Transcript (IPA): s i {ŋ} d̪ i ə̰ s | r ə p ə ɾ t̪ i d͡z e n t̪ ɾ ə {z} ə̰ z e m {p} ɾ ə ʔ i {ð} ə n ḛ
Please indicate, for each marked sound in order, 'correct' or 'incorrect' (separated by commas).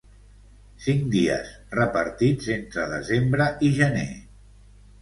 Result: correct, incorrect, incorrect, incorrect